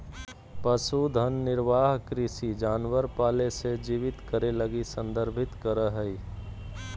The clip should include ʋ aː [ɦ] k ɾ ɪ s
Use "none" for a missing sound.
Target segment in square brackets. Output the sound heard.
ɦ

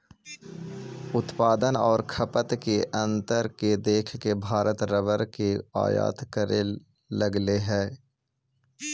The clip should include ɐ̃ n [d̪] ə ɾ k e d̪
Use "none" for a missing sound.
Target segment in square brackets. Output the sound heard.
t̪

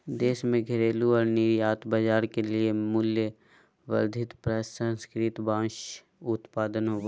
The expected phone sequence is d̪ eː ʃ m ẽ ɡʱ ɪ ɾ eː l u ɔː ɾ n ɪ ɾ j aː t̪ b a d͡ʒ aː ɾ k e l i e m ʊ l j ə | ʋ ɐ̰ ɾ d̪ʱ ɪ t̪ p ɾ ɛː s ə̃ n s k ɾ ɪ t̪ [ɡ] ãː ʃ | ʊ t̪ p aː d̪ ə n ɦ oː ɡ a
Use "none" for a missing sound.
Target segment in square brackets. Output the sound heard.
b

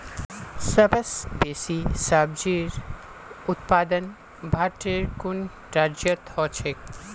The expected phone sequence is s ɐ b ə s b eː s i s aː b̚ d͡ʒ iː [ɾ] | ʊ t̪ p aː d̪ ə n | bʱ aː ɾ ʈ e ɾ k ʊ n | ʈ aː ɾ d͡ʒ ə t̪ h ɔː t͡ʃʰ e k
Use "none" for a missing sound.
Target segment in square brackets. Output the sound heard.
ɾ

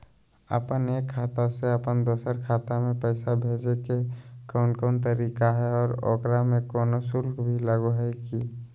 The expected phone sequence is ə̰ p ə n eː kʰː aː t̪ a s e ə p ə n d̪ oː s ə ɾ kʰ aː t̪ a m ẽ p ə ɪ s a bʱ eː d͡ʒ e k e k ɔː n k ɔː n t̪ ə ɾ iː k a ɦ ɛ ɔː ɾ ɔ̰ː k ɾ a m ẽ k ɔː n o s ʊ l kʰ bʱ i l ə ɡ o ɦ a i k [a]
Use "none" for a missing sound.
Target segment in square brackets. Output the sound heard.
i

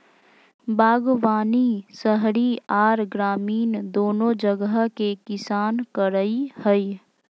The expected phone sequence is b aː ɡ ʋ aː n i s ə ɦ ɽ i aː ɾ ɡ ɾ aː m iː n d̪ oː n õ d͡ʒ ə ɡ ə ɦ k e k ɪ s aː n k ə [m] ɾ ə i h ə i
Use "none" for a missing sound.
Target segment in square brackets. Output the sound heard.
none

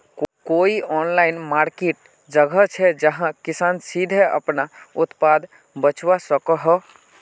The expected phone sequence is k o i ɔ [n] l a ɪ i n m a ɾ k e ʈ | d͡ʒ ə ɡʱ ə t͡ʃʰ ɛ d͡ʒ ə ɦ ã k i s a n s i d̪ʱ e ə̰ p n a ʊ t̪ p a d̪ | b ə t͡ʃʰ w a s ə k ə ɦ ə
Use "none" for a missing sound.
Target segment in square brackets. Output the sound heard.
n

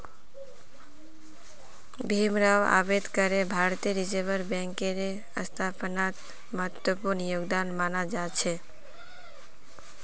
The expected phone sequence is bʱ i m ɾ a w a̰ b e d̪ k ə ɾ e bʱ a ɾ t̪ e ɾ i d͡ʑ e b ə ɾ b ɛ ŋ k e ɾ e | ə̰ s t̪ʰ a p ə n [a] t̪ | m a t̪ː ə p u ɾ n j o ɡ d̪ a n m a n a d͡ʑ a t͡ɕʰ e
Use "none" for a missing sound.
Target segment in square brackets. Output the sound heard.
a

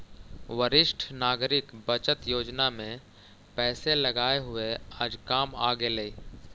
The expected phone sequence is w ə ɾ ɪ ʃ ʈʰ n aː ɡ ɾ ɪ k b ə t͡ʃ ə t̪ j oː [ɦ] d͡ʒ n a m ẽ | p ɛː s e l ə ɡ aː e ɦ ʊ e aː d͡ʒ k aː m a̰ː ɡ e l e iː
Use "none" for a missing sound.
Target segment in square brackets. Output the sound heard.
none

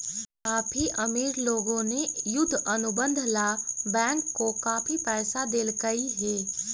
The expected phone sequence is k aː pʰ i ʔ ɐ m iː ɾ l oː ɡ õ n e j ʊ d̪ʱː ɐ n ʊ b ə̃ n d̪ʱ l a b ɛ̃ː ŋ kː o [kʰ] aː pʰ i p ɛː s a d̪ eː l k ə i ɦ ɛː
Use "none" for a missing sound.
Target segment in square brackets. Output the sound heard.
k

